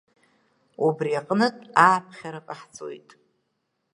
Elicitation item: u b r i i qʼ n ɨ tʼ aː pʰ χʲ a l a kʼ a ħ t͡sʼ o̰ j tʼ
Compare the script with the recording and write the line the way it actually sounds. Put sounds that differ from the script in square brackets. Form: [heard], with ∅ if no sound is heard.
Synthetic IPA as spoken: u b r i [a] qʼ n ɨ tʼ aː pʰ χʲ a [ɾ] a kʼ a ħ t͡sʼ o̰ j tʼ